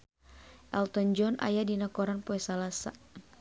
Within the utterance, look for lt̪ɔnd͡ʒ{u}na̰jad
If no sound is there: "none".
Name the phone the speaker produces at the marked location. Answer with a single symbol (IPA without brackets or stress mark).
ɔ